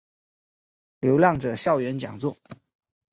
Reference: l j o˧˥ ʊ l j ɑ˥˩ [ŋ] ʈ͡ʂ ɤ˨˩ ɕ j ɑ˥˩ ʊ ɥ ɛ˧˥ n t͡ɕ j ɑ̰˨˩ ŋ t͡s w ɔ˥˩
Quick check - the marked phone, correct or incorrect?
correct